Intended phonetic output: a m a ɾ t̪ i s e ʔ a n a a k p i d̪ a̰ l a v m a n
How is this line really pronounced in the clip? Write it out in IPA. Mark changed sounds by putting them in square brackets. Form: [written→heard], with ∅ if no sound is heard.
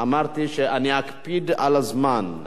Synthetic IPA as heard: a m a ɾ t̪ i [s→ʃ] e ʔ a n [a→i] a k p i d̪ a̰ l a [v→z] m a n